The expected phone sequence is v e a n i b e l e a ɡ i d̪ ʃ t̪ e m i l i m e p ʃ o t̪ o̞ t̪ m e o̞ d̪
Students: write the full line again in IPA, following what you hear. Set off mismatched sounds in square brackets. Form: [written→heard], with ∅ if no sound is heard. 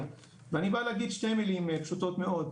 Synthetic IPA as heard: v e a n i b [e→a] l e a ɡ i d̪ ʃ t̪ e m i l i m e p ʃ [o→u] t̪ o̞ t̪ m e o̞ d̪